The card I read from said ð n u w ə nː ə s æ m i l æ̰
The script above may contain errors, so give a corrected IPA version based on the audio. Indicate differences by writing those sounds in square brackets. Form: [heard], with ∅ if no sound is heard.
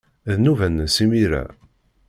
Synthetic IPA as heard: ð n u [v] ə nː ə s [i] m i [ɾ] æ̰